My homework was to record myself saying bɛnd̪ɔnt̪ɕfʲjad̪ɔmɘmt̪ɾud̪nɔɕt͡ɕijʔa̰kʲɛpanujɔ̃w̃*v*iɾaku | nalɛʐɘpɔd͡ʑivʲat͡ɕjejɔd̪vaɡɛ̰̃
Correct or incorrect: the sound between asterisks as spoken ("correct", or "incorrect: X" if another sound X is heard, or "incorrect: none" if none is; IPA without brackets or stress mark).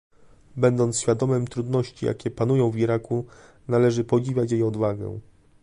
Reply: correct